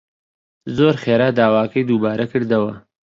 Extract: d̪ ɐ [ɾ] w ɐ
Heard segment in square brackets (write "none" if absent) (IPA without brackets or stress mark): none